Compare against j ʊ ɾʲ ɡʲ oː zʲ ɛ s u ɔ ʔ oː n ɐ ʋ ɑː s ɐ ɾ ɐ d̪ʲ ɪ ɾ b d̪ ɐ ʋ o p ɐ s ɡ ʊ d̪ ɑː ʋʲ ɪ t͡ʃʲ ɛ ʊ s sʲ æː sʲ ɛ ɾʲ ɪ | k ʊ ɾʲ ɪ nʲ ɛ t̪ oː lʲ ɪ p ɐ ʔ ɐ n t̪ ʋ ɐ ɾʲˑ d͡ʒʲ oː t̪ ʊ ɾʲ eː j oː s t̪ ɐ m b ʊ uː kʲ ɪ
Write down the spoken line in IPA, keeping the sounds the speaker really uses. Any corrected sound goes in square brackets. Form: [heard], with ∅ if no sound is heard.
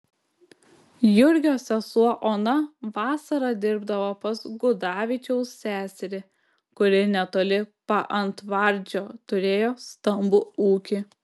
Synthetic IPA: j ʊ ɾʲ ɡʲ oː [sʲ] ɛ s u ɔ ʔ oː n ɐ ʋ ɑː s ɐ ɾ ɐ d̪ʲ ɪ ɾ b d̪ ɐ ʋ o p ɐ s ɡ ʊ d̪ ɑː ʋʲ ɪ t͡ʃʲ ɛ ʊ s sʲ æː sʲ ɛ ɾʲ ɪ | k ʊ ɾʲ ɪ nʲ ɛ t̪ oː lʲ ɪ p ɐ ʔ ɐ n t̪ ʋ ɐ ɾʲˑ d͡ʒʲ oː t̪ ʊ ɾʲ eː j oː s t̪ ɐ m b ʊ uː kʲ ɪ